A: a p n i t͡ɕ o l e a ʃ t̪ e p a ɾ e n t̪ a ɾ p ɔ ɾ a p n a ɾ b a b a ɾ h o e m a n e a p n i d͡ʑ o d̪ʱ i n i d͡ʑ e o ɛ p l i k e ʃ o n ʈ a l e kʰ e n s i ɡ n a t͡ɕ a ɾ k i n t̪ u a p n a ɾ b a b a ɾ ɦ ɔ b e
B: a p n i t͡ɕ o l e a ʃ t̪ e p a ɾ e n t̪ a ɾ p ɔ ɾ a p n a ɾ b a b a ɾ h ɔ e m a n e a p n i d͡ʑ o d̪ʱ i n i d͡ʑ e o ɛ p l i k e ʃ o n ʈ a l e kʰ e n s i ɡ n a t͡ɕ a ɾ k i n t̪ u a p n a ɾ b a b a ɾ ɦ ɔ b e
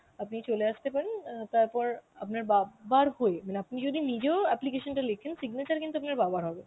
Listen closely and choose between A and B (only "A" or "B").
A